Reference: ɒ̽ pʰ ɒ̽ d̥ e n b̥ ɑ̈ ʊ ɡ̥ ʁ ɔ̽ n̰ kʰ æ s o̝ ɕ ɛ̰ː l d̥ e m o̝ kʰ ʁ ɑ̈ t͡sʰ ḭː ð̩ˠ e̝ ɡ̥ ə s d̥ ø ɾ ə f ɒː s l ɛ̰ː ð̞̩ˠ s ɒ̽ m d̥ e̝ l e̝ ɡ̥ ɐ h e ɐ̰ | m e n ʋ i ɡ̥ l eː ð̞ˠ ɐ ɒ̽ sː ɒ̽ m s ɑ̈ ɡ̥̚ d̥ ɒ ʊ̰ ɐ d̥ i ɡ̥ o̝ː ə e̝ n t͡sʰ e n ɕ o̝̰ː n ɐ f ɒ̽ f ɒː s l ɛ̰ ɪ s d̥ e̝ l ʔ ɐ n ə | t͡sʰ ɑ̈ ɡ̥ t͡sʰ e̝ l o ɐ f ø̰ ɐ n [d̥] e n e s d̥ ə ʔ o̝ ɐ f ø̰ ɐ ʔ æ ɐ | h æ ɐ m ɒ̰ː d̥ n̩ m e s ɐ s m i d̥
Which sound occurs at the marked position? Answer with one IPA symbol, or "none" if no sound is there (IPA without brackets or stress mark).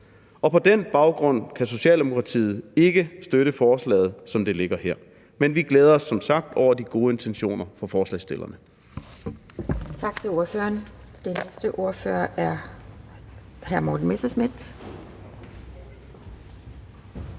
d̥